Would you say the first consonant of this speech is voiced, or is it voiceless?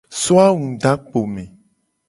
voiceless